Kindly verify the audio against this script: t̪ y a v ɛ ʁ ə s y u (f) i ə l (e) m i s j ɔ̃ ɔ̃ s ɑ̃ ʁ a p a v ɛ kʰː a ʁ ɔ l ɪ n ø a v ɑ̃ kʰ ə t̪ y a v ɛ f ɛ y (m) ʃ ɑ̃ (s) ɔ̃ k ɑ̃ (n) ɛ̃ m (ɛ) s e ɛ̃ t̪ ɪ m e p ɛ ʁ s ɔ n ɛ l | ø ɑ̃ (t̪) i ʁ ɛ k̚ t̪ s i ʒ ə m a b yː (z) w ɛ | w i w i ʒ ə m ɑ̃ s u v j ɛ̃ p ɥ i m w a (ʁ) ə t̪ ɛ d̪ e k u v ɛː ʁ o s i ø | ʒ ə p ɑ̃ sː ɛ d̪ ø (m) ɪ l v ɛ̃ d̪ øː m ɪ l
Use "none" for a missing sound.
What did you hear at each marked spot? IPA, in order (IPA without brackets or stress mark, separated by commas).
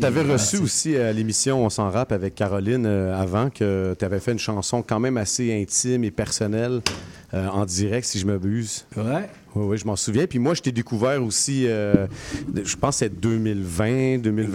s, e, n, s, m, a, d̪, z, ʒ, m